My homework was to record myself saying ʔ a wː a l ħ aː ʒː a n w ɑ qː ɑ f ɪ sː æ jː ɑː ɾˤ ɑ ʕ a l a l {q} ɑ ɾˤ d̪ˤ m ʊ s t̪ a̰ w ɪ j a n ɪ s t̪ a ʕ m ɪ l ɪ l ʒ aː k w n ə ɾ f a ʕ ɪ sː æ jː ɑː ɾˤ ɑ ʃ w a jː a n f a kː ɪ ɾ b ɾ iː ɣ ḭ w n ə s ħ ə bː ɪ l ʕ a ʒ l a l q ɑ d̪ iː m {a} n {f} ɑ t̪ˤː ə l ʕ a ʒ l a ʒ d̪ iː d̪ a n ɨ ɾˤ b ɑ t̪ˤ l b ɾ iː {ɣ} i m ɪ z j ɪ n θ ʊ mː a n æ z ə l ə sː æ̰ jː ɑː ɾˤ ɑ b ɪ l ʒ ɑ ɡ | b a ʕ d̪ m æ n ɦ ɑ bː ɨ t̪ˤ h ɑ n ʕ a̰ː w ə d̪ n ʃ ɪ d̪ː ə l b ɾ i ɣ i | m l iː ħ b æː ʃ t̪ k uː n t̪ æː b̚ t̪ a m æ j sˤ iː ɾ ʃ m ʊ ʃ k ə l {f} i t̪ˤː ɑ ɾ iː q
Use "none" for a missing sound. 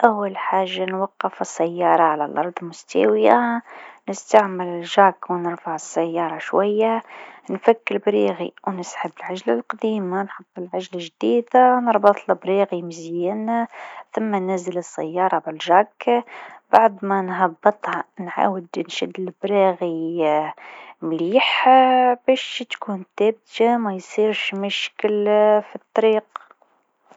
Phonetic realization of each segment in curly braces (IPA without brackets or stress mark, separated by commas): ʔ, a, ħ, ɣ, f